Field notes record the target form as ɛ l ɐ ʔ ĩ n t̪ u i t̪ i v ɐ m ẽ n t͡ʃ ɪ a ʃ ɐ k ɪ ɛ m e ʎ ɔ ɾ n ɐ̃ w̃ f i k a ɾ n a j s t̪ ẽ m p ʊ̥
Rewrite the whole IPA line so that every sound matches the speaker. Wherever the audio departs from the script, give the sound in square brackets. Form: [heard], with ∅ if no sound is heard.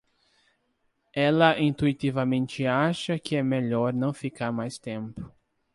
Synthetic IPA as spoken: ɛ l ɐ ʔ ĩ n t̪ u i t̪ i v ɐ m ẽ n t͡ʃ ɪ a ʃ ɐ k ɪ ɛ m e ʎ ɔ ɾ n ɐ̃ w̃ f i k a ɾ [m] a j s t̪ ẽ m p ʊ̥